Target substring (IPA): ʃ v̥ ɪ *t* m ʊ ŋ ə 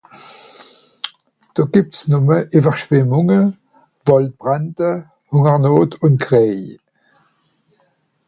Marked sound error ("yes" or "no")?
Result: yes